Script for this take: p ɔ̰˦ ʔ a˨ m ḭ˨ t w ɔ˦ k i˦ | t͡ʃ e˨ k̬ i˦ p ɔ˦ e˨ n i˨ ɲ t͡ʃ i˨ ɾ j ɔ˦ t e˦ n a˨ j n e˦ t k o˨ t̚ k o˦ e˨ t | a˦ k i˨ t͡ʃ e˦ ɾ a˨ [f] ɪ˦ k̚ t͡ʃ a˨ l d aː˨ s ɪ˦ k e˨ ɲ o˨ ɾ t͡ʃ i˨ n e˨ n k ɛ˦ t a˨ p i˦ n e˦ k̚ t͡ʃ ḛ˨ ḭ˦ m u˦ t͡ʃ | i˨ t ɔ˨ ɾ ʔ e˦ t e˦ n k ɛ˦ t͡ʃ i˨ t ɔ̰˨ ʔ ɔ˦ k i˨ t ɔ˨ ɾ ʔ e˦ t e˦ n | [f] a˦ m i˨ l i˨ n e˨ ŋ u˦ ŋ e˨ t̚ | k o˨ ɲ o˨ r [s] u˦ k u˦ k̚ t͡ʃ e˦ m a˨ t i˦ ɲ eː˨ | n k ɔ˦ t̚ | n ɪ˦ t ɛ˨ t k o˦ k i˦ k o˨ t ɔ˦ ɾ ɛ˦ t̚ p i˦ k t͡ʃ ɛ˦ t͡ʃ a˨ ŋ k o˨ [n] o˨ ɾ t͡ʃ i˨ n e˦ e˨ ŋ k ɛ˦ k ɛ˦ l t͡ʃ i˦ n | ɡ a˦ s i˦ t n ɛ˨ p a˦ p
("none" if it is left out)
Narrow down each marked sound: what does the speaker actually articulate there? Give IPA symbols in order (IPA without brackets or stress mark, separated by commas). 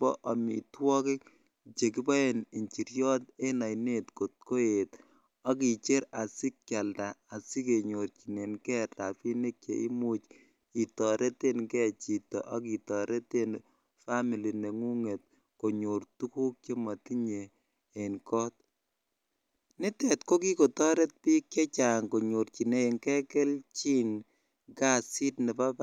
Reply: s, f, t, ɲ